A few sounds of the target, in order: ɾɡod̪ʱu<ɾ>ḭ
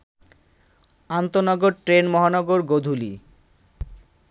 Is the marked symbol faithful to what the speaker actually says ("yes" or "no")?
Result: no